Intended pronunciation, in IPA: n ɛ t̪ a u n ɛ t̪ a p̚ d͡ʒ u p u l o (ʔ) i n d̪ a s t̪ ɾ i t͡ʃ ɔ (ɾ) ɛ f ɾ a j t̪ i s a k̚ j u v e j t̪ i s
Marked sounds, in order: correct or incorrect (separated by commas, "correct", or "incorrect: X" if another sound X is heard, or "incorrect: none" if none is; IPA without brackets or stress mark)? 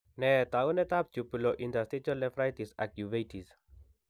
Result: correct, incorrect: l